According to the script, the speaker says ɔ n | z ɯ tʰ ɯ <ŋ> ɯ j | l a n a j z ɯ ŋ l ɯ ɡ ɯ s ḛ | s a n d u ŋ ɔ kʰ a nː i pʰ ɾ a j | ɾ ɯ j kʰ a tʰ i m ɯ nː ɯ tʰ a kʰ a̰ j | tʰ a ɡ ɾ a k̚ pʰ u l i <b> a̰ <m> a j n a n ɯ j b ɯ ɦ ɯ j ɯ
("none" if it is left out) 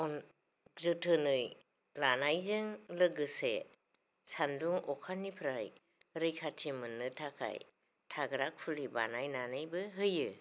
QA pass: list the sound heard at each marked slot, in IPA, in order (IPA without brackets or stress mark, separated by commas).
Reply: n, b, n